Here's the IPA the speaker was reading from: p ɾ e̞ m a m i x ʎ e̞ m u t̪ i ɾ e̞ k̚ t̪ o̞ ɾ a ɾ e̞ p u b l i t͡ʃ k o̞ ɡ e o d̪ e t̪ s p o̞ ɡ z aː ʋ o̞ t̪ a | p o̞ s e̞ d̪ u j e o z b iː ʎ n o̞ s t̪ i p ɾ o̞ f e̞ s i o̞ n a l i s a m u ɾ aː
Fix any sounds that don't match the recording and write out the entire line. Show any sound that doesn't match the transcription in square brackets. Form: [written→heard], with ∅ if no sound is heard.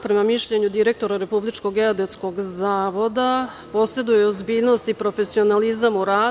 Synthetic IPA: p ɾ e̞ m a m i [x→ʃ] ʎ e̞ [m→ɲ] u [t̪→d̪] i ɾ e̞ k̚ t̪ o̞ ɾ a ɾ e̞ p u b l i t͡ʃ k o̞ ɡ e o d̪ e t̪ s [p→k] o̞ ɡ z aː ʋ o̞ [t̪→d̪] a | p o̞ s e̞ d̪ u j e o z b iː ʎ n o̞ s t̪ i p ɾ o̞ f e̞ s i o̞ n a l i [s→z] a m u ɾ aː